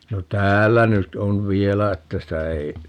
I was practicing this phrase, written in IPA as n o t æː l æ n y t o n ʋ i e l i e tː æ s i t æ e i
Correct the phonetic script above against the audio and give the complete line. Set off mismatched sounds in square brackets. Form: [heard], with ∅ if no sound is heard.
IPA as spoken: n o t æː [lː] æ n y t o n ʋ i e l [æ] e tː æ s i t æ e i